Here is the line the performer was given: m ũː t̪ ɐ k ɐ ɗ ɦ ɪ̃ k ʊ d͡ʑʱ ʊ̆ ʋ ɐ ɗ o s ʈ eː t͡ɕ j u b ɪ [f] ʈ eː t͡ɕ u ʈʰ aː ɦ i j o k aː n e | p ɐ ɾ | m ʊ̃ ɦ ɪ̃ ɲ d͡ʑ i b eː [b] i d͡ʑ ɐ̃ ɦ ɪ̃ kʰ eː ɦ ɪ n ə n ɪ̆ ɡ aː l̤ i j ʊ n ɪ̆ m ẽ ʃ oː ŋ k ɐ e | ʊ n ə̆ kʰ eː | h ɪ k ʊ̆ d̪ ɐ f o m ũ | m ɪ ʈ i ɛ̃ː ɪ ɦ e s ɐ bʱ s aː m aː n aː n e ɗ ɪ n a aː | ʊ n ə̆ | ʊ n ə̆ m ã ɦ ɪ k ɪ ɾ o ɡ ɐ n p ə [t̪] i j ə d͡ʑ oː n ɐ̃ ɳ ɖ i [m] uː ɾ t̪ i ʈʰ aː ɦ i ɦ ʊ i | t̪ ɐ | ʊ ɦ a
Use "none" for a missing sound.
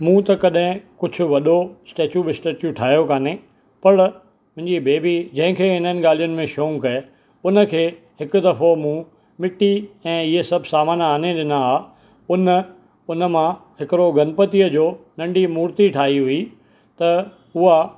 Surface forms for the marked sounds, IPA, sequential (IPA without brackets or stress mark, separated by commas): s, b, t̪, m